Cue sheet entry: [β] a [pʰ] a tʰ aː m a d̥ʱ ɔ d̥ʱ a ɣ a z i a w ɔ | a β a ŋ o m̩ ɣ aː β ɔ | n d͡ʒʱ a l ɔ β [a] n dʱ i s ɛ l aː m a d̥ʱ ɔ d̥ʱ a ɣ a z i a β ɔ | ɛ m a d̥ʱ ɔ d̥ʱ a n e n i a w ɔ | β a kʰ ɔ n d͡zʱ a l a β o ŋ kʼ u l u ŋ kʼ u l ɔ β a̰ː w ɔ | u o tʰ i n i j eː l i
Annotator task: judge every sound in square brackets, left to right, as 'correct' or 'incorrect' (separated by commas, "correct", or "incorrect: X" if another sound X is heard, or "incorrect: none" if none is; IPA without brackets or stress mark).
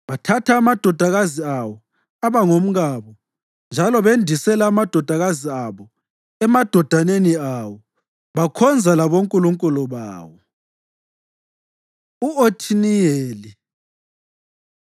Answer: correct, incorrect: tʰ, incorrect: e